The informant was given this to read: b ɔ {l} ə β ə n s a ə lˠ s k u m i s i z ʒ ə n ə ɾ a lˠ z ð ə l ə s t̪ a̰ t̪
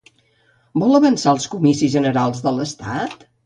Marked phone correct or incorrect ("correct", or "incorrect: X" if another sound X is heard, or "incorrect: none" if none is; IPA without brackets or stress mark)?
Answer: correct